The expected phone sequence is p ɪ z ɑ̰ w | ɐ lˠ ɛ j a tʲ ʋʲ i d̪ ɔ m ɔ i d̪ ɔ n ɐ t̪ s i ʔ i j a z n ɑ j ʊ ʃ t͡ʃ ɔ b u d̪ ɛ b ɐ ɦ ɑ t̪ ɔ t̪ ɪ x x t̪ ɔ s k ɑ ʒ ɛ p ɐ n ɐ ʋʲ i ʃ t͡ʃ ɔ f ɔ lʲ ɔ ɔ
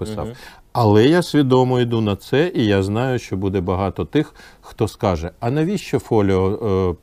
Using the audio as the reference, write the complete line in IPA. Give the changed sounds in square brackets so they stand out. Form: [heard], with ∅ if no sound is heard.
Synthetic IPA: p ɪ [s] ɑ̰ w | ɐ lˠ ɛ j a [sʲ] ʋʲ i d̪ ɔ m ɔ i d̪ [u] n ɐ t̪ s [ɛ] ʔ i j a z n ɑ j ʊ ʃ t͡ʃ ɔ b u d̪ ɛ b ɐ ɦ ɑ t̪ ɔ t̪ ɪ x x t̪ ɔ s k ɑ ʒ ɛ [∅] ɐ n ɐ ʋʲ i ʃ t͡ʃ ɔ f ɔ lʲ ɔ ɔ